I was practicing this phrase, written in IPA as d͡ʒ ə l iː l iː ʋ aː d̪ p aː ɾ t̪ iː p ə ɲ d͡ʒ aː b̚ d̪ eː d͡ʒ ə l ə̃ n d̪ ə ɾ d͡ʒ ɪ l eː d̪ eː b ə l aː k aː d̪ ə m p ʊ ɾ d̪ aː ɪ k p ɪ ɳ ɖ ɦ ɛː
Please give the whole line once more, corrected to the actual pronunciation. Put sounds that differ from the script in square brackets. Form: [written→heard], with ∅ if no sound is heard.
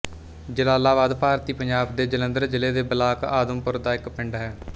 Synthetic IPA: d͡ʒ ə l [iː→aː] l [iː→aː] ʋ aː d̪ p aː ɾ t̪ iː p ə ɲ d͡ʒ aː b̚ d̪ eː d͡ʒ ə l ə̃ n d̪ ə ɾ d͡ʒ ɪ l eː d̪ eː b ə l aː k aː d̪ ə m p ʊ ɾ d̪ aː ɪ k p ɪ ɳ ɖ ɦ ɛː